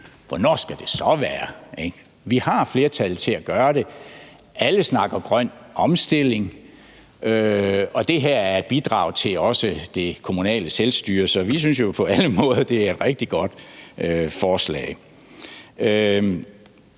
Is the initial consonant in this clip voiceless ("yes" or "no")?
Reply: no